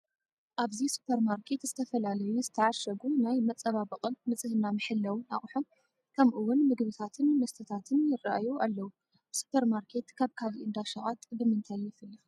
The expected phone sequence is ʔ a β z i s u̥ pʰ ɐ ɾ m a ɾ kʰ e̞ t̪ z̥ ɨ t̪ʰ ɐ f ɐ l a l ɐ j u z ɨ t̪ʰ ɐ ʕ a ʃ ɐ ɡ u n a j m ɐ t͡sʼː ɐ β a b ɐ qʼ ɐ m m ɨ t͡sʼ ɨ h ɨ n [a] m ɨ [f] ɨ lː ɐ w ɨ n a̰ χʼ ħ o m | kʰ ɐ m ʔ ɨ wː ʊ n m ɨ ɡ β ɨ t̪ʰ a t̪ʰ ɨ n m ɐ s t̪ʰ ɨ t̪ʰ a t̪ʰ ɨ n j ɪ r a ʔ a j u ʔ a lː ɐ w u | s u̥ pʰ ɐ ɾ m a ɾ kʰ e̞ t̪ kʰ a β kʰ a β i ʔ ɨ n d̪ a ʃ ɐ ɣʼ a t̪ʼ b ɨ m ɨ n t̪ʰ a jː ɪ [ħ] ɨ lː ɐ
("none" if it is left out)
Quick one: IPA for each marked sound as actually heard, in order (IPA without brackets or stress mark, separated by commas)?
a, ħ, f